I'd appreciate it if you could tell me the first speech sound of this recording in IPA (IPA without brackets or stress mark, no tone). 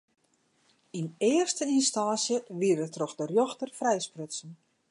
i